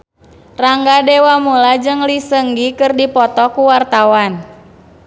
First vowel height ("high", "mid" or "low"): low